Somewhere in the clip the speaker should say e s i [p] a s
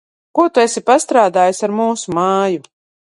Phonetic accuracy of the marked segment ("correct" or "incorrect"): correct